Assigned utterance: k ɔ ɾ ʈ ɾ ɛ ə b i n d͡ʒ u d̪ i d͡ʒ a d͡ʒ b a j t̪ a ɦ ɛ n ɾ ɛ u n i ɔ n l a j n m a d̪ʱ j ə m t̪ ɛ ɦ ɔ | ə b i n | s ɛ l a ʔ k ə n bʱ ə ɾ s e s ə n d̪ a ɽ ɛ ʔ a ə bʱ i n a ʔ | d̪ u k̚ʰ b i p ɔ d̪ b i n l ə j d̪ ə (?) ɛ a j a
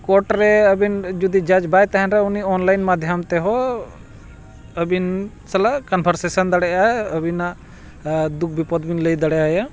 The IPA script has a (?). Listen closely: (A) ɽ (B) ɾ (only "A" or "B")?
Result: A